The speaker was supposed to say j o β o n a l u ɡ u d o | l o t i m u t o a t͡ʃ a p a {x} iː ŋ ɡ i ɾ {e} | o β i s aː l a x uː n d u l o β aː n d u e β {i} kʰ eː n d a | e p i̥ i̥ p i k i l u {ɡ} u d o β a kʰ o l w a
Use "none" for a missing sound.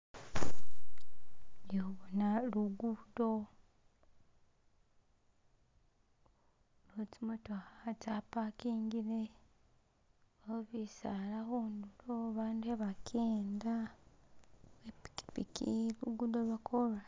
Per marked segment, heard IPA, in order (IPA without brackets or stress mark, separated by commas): k, e, a, ɡ